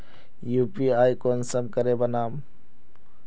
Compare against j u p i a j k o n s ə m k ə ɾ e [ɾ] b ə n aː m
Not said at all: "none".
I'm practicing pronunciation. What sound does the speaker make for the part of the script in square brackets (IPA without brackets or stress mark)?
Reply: none